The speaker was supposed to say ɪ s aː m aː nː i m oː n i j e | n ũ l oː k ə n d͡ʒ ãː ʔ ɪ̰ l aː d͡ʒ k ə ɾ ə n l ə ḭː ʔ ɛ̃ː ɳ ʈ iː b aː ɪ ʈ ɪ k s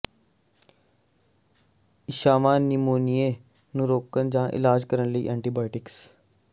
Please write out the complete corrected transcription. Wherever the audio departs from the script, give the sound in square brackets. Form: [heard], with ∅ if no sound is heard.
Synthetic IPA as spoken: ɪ [ʃ] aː m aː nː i m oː n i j e | n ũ [ɾ] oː k ə n d͡ʒ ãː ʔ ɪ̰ l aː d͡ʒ k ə ɾ ə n l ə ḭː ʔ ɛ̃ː ɳ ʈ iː b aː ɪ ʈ ɪ k s